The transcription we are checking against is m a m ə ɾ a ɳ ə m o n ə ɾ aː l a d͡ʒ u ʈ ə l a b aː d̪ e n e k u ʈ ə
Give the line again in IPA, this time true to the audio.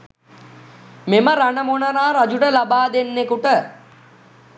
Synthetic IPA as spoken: m e m ə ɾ a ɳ ə m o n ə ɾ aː ɾ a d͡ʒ u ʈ ə l a b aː d̪ e nː e k u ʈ ə